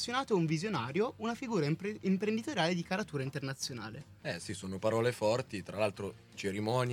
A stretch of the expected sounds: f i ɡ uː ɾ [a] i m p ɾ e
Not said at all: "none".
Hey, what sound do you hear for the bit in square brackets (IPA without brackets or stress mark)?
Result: a